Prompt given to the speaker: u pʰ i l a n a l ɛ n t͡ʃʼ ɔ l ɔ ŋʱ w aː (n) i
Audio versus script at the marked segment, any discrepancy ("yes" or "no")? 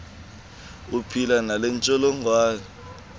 no